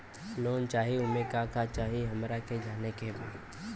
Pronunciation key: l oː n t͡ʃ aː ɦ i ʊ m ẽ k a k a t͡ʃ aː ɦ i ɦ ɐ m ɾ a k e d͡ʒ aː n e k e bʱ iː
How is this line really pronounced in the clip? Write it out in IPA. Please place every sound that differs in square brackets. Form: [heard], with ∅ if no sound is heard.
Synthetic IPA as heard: l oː n t͡ʃ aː ɦ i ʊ m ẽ k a k a t͡ʃ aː ɦ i ɦ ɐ m ɾ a k e d͡ʒ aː n e k e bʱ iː